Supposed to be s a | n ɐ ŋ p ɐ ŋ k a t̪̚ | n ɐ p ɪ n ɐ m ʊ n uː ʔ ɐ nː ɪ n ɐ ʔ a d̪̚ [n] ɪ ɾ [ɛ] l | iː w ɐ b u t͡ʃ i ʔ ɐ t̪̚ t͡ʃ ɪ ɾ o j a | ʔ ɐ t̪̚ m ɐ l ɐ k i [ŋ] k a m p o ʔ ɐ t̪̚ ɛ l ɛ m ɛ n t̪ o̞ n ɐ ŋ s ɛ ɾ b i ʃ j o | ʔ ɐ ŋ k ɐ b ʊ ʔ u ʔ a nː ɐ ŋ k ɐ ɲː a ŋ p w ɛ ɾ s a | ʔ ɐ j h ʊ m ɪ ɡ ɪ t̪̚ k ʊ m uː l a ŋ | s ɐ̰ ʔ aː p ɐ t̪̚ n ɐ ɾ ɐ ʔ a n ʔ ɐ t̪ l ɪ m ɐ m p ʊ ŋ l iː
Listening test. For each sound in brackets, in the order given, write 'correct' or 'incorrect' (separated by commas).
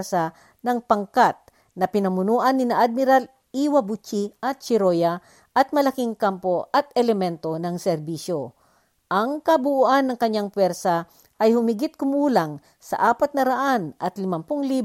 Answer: incorrect, incorrect, correct